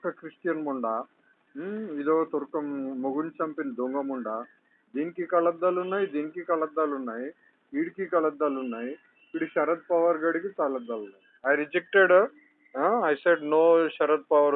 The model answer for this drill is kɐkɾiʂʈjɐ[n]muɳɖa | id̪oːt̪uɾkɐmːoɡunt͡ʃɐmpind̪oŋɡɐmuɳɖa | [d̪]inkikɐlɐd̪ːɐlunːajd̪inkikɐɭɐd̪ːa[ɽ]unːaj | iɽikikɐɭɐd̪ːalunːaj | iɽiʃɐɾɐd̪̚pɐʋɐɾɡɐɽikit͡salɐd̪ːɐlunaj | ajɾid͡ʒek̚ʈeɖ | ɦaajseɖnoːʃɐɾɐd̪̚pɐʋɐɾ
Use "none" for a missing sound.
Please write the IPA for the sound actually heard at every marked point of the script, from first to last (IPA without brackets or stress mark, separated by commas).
n, d̪, l